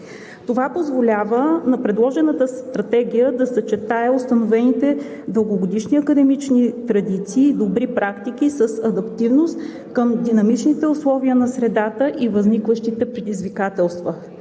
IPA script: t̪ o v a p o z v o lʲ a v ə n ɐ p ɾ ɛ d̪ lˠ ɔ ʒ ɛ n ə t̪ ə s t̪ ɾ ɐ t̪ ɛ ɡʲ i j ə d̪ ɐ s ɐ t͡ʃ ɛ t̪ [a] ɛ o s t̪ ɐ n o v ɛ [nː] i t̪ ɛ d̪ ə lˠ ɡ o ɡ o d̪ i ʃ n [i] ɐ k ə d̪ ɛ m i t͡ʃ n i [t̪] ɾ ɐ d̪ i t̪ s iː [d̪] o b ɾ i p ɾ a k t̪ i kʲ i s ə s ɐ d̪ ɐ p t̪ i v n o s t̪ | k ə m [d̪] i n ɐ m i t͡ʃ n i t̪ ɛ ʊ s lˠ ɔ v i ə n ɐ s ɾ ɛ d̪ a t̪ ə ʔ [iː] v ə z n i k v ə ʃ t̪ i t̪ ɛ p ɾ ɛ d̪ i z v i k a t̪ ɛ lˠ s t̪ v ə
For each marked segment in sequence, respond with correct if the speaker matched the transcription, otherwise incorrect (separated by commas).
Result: correct, incorrect, correct, correct, correct, correct, incorrect